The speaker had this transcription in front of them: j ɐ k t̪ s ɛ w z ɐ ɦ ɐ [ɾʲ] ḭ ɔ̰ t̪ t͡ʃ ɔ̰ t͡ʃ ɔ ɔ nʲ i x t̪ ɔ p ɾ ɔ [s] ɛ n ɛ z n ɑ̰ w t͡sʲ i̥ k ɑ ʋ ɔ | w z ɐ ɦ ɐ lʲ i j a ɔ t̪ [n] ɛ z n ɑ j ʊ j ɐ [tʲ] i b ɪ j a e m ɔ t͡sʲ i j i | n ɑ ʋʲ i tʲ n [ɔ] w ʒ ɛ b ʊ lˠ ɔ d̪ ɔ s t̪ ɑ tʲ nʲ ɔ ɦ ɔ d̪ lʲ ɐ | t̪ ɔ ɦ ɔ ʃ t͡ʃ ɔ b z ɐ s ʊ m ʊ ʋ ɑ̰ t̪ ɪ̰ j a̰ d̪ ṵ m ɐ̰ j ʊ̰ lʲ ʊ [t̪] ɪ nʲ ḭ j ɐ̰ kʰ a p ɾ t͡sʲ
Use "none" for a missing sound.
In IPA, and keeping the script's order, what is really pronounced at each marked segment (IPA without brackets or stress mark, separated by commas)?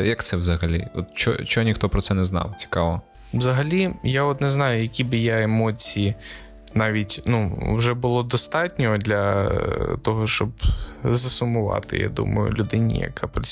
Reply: lʲ, s, n, kʲ, u, d̪